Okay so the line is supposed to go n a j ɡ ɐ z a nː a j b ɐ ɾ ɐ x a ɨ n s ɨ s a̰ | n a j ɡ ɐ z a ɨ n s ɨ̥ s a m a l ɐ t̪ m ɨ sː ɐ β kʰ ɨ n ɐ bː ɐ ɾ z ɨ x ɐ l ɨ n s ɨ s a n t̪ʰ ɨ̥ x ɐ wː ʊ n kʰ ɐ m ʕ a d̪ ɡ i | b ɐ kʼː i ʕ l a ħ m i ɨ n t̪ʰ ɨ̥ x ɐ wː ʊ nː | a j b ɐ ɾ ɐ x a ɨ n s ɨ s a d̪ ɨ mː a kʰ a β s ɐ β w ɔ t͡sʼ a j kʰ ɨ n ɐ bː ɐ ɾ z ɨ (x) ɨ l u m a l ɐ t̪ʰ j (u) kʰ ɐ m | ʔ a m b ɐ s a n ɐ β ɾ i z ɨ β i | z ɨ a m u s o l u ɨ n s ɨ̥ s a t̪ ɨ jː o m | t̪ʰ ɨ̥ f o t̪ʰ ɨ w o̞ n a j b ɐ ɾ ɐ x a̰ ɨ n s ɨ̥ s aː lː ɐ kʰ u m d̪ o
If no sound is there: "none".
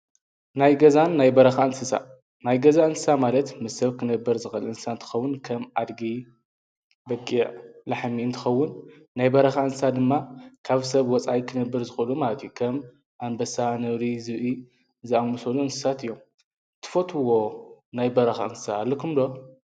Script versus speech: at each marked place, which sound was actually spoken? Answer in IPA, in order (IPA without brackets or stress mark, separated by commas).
x, u